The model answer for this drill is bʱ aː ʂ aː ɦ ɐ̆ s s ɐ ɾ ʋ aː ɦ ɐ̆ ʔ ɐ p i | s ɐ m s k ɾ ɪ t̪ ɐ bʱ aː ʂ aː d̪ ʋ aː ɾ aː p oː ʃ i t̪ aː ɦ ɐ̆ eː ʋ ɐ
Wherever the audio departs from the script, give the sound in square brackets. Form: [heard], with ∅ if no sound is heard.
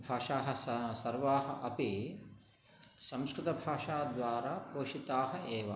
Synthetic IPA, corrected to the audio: bʱ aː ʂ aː ɦ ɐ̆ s s ɐ ɾ ʋ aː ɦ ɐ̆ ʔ ɐ p i | s ɐ m s k ɾ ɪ t̪ ɐ bʱ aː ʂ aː d̪ ʋ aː ɾ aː p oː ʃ i t̪ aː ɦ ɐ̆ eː ʋ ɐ